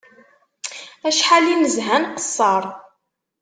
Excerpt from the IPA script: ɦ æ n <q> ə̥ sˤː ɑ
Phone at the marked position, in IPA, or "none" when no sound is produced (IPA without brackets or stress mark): q